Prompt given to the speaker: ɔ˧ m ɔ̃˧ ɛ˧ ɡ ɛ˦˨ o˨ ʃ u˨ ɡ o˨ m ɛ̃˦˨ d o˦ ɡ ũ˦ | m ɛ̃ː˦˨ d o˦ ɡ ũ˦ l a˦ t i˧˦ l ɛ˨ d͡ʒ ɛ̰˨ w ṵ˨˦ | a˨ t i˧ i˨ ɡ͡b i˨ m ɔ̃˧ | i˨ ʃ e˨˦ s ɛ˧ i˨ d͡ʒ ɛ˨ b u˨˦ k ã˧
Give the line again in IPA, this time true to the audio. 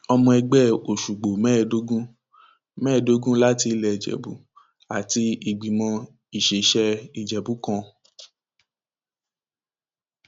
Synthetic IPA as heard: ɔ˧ m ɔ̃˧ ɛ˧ ɡ͡b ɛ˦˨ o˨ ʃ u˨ ɡ͡b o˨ m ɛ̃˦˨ d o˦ ɡ ũ˦ | m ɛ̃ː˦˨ d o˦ ɡ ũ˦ l a˦ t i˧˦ l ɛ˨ d͡ʒ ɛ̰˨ b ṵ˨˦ | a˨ t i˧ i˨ ɡ͡b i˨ m ɔ̃˧ | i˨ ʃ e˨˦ ʃ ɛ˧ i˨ d͡ʒ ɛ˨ b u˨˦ k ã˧